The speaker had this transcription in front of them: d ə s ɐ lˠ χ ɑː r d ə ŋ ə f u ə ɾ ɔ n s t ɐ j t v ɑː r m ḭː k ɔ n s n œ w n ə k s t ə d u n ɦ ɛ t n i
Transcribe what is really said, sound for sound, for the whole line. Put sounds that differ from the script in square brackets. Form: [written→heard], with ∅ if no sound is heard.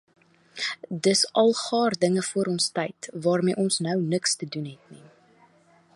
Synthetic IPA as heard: d ə s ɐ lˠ χ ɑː r d ə ŋ ə f u ə ɾ ɔ n s t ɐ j t v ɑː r m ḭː [k→ʔ] ɔ n s n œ w n ə k s t ə d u n ɦ ɛ t n i